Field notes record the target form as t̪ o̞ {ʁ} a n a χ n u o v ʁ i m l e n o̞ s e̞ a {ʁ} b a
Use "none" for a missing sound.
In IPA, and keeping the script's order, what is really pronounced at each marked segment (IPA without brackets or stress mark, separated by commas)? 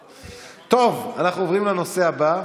v, none